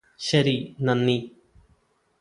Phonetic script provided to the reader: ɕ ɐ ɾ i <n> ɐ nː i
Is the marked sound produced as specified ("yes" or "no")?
yes